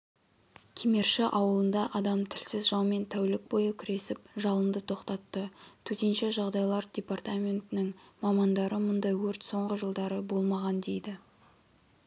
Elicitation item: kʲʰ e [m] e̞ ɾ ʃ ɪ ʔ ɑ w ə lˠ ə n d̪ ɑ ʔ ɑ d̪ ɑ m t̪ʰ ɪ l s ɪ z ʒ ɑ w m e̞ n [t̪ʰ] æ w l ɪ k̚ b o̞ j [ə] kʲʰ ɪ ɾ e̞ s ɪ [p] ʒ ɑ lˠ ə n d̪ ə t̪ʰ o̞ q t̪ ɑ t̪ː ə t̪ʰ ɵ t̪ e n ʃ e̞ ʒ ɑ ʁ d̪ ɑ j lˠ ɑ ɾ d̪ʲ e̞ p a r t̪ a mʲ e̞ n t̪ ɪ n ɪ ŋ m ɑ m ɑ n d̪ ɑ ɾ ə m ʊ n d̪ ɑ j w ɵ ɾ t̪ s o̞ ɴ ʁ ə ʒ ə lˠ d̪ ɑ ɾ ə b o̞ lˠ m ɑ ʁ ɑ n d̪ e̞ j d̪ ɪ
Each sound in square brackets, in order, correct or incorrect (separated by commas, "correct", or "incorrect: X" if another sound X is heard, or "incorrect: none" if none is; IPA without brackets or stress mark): correct, correct, correct, correct